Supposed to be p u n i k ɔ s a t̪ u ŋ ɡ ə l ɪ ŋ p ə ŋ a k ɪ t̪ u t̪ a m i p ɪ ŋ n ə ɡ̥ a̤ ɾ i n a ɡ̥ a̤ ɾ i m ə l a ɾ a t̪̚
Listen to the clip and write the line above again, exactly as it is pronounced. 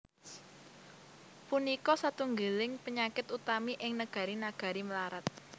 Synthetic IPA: p u n i k ɔ s a t̪ u ŋ ɡ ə l ɪ ŋ p ə ɲ a k ɪ t̪ u t̪ a m i ʔ ɪ ŋ n ə ɡ̥ a̤ ɾ i n a ɡ̥ a̤ ɾ i m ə l a ɾ a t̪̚